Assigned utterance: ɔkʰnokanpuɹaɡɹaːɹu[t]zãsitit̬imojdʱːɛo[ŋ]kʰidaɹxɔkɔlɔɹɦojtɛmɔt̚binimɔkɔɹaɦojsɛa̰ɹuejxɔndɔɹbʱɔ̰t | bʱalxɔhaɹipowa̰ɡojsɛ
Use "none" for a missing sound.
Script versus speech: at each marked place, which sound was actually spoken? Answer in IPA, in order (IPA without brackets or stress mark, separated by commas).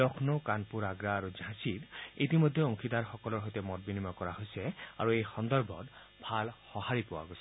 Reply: none, ŋ